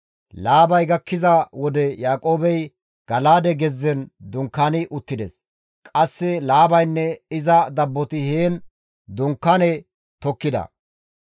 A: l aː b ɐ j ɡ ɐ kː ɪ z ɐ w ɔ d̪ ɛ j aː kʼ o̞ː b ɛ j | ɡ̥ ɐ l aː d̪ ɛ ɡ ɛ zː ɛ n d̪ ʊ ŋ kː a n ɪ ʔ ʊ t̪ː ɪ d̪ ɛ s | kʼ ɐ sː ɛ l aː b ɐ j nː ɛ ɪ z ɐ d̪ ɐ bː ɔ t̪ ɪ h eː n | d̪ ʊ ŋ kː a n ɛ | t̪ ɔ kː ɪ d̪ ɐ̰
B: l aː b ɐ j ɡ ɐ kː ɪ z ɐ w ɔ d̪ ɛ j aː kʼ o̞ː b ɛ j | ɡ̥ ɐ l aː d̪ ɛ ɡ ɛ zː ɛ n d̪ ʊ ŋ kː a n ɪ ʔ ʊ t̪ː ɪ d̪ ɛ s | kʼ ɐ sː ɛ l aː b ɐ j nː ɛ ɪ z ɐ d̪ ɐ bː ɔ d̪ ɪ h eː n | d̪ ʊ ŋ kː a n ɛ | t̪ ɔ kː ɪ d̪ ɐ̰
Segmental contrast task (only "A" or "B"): A